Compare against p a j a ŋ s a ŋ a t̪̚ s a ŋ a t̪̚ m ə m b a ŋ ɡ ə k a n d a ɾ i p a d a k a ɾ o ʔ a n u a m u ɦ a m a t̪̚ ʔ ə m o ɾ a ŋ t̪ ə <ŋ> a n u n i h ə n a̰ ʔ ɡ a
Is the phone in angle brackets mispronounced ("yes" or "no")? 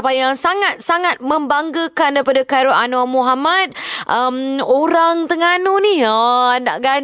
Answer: no